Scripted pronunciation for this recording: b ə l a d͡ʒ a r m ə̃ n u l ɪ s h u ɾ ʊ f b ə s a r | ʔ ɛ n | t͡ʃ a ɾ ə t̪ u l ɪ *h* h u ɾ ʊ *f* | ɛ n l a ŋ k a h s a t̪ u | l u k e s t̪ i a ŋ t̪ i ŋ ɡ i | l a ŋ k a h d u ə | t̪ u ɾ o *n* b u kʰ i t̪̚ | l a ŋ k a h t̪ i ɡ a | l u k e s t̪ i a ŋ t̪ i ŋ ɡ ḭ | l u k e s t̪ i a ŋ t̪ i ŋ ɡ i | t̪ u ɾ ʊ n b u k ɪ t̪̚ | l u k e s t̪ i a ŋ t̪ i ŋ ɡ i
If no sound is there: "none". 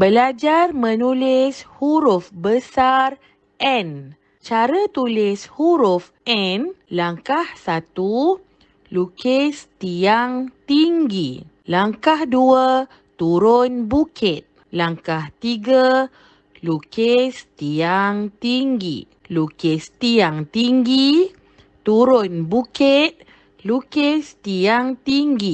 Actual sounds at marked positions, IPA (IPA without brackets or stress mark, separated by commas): s, f, n